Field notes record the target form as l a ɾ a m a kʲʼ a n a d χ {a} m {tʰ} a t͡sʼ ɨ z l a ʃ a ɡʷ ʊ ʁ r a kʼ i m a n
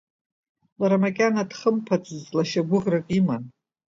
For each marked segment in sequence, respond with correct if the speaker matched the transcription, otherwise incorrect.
incorrect, incorrect

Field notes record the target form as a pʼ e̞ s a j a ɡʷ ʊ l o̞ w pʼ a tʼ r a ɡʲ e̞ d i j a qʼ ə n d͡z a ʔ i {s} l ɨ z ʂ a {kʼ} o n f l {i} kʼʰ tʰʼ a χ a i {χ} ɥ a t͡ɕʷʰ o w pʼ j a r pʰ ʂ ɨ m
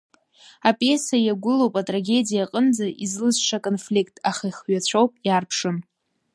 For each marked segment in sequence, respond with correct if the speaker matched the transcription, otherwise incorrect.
incorrect, correct, correct, correct

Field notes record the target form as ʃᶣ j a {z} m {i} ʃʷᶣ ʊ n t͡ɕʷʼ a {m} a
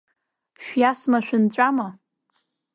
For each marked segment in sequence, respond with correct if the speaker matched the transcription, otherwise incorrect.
incorrect, incorrect, correct

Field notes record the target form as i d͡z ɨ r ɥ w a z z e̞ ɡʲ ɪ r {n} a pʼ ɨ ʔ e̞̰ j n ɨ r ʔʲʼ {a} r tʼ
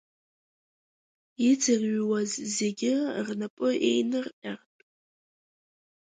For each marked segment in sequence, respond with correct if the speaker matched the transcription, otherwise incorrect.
correct, correct

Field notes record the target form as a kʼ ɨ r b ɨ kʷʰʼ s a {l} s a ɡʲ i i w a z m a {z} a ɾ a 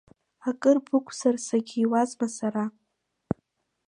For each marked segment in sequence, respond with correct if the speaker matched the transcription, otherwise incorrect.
incorrect, incorrect

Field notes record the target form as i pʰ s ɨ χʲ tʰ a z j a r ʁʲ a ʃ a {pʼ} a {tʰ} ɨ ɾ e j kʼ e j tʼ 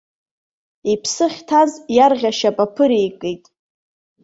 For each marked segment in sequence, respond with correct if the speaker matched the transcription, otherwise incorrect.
correct, incorrect

